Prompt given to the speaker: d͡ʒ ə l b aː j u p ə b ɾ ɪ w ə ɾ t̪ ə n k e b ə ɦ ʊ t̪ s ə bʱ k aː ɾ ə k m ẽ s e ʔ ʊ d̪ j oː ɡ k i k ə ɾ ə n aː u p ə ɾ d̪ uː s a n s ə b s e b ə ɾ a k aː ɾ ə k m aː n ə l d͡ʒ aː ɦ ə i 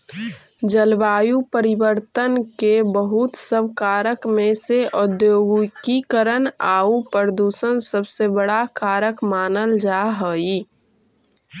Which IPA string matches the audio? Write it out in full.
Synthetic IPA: d͡ʒ ə l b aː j u p ə ɾ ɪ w ə ɾ t̪ ə n k e b ə ɦ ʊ t̪ s ə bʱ k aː ɾ ə k m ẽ s e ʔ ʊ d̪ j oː ɡ k i k ə ɾ ə n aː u p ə ɾ d̪ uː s ə n s ə b s e b ə ɽ a k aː ɾ ə k m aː n ə l d͡ʒ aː ɦ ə i